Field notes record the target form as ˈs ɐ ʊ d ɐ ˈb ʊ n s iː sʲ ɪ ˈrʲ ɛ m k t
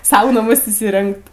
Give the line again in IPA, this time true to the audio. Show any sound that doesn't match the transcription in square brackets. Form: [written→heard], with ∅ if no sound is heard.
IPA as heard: ˈs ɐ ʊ [d→n] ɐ [ˈb→ˈm] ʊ [n→∅] s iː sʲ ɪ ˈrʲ ɛ [m→ŋ] k t